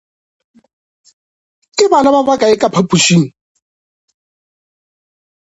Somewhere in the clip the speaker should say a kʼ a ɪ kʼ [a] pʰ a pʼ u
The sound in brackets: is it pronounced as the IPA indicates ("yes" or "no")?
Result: yes